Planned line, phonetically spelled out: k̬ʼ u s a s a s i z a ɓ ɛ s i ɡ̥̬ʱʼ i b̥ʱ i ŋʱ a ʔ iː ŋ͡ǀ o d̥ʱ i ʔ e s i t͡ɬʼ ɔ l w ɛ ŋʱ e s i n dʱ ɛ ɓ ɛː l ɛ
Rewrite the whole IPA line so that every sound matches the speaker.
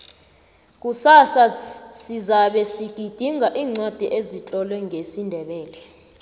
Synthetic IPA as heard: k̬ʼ u s a s a s i z a ɓ ɛ s i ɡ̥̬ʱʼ i d̥ʱ i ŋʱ a ʔ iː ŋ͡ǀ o d̥ʱ i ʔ e z i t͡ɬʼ ɔ l w ɛ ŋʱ e s i n dʱ ɛ ɓ ɛː l ɛ